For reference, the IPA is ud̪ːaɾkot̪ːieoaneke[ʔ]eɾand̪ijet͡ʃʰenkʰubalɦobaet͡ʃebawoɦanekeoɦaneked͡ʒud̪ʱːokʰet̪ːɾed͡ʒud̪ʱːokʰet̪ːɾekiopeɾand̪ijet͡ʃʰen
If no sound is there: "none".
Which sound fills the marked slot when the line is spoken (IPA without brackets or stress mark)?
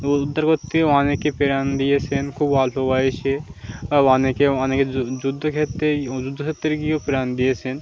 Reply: p